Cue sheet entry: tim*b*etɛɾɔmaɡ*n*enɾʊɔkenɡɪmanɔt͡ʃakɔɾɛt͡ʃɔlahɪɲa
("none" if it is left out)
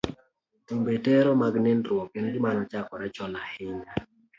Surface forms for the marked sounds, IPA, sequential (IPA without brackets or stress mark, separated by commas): b, n